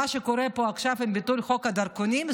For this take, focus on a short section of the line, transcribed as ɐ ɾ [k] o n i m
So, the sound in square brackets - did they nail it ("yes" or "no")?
yes